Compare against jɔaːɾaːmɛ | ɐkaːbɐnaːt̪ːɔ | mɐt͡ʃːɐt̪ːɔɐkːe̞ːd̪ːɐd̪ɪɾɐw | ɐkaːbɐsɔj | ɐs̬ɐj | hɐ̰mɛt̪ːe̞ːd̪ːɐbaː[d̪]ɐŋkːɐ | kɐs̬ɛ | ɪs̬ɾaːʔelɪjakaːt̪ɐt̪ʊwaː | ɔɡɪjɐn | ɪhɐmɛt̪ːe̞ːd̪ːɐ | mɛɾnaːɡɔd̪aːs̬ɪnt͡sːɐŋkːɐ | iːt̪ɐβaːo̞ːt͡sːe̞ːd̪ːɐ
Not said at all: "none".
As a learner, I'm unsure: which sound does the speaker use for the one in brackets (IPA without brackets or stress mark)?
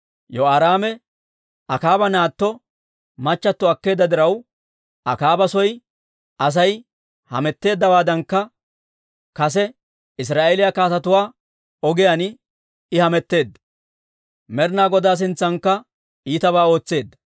d̪